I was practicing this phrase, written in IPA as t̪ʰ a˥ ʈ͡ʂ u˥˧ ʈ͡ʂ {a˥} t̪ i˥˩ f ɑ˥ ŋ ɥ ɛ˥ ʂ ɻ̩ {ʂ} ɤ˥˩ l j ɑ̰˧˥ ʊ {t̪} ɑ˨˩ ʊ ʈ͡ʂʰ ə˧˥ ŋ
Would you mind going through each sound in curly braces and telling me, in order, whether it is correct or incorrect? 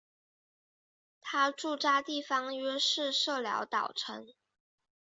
correct, correct, correct

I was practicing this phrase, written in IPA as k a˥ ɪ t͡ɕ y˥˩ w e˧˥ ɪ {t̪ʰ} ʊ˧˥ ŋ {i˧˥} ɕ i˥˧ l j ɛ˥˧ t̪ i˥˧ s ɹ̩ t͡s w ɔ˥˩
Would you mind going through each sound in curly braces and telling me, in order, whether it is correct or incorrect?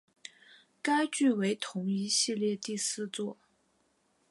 correct, correct

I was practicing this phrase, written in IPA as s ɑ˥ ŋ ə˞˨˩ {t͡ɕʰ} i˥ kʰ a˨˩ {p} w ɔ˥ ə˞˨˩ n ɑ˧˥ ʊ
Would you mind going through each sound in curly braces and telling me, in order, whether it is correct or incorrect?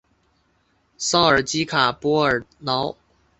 incorrect: t͡ɕ, correct

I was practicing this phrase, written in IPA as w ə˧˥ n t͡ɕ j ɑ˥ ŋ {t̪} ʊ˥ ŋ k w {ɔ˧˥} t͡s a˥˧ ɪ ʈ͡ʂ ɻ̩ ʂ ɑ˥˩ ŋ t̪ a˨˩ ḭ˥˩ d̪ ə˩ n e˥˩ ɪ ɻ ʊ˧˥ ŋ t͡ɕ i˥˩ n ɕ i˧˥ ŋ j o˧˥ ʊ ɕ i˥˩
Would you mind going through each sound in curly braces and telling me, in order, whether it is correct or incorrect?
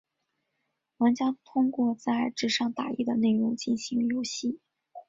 incorrect: t̪ʰ, incorrect: ɔ˥˧

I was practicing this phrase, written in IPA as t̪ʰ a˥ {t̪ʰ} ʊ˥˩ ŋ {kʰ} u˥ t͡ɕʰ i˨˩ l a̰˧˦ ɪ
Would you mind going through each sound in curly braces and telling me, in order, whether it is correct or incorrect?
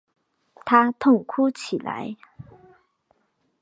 correct, correct

